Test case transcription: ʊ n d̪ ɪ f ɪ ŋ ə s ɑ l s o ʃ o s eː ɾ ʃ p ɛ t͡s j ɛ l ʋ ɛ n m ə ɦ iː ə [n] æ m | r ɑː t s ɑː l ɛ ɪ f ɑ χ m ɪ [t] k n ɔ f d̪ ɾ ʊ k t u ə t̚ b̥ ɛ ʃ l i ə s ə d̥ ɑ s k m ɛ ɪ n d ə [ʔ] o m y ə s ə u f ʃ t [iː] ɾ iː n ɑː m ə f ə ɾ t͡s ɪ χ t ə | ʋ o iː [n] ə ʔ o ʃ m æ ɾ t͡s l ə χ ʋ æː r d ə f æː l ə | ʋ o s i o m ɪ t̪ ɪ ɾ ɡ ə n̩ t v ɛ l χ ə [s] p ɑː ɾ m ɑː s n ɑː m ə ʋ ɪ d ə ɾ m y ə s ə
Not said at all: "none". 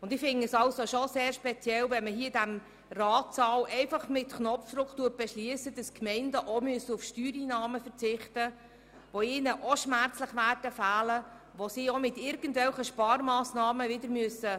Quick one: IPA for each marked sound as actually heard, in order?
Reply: d, t, ʔ, yː, n, ʃ

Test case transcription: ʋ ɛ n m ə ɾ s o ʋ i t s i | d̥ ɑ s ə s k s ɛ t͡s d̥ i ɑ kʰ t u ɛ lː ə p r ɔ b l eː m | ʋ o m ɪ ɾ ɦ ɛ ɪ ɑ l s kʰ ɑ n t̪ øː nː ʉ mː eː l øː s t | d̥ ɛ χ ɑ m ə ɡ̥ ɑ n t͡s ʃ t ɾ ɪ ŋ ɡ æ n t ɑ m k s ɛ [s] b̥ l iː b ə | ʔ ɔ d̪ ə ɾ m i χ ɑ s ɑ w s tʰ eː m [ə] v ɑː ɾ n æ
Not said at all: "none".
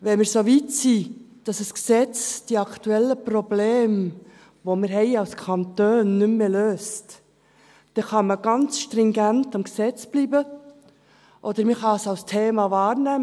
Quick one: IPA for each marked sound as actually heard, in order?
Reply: t͡s, ɑ

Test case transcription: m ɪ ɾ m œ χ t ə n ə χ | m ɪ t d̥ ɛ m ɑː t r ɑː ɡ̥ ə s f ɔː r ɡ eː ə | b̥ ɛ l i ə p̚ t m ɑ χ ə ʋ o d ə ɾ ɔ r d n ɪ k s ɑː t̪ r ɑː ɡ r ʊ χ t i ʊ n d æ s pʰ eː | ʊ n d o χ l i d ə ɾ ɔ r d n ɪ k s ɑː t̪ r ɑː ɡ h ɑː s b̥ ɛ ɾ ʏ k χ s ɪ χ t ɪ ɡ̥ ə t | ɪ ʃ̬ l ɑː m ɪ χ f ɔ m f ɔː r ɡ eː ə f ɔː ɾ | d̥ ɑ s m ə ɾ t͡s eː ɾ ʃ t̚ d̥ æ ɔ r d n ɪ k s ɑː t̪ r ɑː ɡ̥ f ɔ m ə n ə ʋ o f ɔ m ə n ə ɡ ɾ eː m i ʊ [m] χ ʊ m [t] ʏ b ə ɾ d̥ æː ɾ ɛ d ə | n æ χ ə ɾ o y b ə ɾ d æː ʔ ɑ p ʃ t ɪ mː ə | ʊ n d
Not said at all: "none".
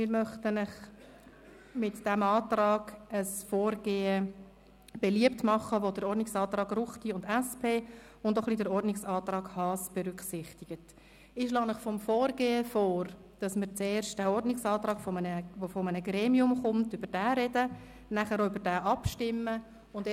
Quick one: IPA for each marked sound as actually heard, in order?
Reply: m, t

